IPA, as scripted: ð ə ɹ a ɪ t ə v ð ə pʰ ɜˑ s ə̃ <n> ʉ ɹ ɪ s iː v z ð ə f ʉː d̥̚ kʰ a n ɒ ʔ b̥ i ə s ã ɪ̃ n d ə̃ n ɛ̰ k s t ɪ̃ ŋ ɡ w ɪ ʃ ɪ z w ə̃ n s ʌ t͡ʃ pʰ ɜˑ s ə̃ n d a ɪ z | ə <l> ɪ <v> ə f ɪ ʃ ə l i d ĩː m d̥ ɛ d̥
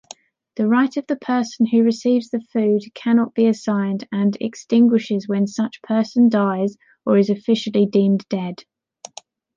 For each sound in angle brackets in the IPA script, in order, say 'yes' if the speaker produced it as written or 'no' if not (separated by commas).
yes, no, no